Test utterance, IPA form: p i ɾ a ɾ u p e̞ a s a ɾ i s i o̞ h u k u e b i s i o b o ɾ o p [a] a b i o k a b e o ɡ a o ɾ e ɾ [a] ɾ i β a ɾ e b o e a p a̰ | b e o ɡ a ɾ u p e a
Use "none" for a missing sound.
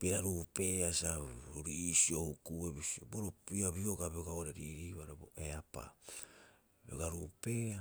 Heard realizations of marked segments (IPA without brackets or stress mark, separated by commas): i, i